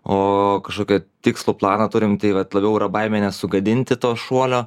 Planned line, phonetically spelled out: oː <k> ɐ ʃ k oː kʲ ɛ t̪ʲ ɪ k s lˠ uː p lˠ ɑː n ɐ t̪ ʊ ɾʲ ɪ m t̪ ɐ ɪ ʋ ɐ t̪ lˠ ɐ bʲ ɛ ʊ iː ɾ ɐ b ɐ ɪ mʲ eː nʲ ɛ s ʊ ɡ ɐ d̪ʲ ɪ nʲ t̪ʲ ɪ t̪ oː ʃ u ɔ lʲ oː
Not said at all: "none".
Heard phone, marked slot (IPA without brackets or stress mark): k